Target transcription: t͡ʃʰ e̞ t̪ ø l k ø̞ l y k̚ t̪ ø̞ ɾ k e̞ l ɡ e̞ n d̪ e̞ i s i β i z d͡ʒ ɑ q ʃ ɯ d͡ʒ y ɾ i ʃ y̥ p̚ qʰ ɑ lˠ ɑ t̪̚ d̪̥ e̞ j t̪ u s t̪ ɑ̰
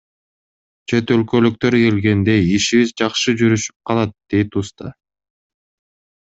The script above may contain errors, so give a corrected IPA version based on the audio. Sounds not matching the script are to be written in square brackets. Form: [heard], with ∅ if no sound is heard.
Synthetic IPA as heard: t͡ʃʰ e̞ t̪ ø l k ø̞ l y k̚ t̪ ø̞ ɾ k e̞ l ɡ e̞ n d̪ e̞ i [ʃ] i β i z d͡ʒ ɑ q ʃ ɯ d͡ʒ y ɾ [y] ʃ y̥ p̚ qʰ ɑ lˠ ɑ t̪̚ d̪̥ e̞ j t̪ u s t̪ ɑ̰